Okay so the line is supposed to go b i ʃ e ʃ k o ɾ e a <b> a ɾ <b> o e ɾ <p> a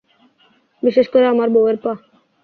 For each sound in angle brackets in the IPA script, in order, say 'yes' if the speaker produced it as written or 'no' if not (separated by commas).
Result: no, yes, yes